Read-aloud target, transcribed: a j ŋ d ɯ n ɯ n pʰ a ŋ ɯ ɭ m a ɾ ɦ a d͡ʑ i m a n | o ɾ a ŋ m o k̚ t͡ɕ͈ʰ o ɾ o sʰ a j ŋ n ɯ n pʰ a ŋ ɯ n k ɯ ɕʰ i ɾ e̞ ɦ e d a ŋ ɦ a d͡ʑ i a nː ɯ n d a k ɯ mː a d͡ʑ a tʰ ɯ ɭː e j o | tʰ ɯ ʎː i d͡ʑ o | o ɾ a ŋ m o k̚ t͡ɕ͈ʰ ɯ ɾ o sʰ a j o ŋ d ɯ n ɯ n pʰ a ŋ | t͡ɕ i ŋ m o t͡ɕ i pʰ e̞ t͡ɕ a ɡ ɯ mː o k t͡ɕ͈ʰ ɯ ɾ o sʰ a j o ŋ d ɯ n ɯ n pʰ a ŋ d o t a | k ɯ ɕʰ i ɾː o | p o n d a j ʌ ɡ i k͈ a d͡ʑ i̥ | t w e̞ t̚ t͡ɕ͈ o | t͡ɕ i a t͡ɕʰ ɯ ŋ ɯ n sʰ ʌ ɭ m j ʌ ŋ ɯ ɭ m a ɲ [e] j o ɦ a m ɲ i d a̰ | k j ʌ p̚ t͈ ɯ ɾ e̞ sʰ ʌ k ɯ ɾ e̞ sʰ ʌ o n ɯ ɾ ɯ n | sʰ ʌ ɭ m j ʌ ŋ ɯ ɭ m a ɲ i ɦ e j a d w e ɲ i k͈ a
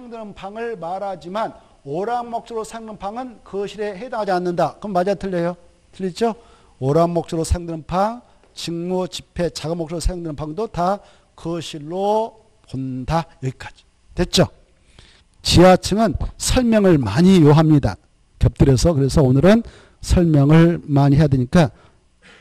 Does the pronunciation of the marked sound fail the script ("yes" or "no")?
yes